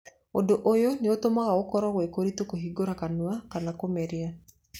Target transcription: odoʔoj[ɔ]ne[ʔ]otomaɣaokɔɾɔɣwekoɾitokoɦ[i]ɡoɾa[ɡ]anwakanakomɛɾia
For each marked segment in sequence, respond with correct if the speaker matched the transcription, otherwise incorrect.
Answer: incorrect: o, incorrect: none, correct, incorrect: k

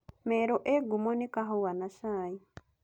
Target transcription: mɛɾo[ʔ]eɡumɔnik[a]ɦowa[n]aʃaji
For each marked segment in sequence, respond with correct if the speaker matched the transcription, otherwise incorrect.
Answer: correct, correct, correct

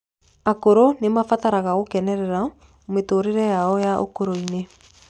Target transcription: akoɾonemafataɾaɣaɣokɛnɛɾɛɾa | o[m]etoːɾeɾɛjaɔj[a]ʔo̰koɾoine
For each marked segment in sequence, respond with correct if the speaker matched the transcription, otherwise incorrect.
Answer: correct, correct

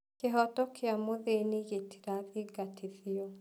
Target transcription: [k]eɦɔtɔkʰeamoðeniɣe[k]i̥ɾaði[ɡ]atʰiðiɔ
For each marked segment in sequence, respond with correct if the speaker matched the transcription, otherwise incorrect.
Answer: correct, incorrect: t, correct

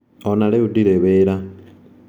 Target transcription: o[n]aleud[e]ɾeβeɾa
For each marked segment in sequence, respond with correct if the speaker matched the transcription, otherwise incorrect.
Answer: correct, incorrect: i

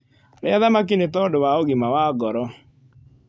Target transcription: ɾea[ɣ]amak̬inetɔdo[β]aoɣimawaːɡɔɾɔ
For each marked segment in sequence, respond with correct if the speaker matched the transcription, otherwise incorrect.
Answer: incorrect: ð, incorrect: w

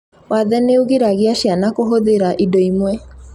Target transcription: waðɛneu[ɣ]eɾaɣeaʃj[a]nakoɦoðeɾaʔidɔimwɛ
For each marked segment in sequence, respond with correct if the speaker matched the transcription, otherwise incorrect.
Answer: correct, correct

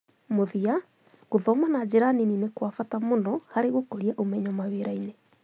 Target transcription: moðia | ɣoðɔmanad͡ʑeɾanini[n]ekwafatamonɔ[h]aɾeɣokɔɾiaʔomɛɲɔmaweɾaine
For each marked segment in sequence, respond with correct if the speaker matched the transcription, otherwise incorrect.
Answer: correct, correct

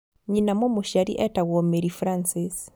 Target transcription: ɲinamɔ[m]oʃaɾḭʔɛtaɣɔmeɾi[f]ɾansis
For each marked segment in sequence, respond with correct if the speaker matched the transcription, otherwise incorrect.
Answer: correct, correct

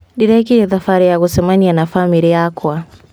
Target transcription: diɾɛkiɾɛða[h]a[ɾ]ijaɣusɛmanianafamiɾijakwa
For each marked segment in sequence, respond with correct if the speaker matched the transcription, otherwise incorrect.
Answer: incorrect: f, correct

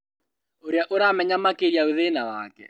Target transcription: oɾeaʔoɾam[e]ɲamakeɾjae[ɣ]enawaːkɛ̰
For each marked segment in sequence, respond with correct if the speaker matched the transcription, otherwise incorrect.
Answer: incorrect: ɛ, incorrect: ð

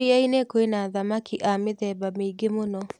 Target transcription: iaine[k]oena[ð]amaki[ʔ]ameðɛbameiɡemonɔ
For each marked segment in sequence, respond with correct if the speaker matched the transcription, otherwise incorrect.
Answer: correct, correct, correct

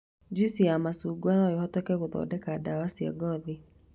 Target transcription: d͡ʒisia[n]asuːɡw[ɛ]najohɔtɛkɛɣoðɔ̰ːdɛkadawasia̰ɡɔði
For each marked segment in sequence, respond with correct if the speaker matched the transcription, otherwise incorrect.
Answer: incorrect: m, incorrect: a

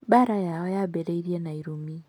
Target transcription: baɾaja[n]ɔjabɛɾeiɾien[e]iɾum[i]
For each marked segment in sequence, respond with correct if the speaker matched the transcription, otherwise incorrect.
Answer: incorrect: none, incorrect: a, correct

